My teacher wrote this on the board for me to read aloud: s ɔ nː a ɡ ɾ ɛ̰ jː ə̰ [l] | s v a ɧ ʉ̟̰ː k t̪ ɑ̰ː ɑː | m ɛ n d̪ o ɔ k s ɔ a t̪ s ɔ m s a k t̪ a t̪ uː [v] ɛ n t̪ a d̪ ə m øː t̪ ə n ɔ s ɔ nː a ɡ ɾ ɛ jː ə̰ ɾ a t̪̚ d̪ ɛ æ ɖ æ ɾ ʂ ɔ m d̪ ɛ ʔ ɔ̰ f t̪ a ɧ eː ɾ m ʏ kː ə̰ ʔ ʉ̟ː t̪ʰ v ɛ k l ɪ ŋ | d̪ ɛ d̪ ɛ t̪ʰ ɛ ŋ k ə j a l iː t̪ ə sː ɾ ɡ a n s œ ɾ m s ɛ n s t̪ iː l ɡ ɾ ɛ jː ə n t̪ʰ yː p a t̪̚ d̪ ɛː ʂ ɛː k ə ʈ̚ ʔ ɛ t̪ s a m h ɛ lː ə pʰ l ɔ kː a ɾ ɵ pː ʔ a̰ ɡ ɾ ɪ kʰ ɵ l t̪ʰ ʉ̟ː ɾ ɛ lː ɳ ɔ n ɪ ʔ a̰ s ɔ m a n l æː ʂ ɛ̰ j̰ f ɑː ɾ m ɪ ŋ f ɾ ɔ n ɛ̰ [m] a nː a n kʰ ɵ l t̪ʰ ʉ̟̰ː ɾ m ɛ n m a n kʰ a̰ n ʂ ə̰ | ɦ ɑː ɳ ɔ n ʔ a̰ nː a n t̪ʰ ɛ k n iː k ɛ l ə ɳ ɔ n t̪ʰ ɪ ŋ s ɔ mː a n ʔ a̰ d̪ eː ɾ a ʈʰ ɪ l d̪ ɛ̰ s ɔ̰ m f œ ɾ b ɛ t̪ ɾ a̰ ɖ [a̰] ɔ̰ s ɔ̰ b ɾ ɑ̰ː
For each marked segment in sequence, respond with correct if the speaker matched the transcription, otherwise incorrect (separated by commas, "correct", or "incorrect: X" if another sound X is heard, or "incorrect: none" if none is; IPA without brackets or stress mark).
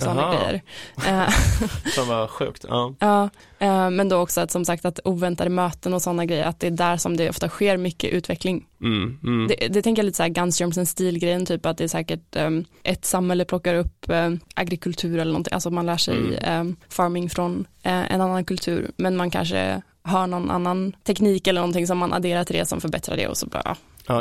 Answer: incorrect: ɾ, correct, incorrect: n, incorrect: ɛ̰